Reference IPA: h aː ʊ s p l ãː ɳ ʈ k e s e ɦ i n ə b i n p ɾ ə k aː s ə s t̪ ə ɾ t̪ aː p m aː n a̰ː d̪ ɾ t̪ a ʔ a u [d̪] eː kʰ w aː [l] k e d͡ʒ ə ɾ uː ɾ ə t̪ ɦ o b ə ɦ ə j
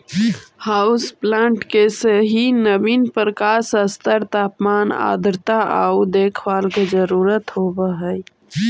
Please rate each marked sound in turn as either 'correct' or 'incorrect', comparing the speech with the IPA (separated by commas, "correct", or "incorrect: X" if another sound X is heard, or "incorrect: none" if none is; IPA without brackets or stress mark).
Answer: correct, correct